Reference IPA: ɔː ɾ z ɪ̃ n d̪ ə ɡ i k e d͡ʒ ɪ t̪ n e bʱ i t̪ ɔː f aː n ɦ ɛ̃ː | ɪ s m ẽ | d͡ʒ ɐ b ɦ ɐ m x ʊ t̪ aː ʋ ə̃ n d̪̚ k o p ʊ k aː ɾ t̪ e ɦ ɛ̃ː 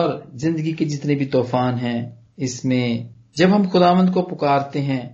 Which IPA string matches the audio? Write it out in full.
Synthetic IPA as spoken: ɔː ɾ z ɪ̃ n d̪ ə ɡ i k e d͡ʒ ɪ t̪ n e bʱ i t̪ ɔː f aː n ɦ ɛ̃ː | ɪ s m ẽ | d͡ʒ ɐ b ɦ ɐ m x ʊ d̪ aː ʋ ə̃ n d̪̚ k o p ʊ k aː ɾ t̪ e ɦ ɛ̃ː